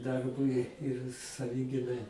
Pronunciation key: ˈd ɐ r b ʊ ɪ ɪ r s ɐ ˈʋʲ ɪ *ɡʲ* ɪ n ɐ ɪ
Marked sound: correct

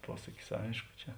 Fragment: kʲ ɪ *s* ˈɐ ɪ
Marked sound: correct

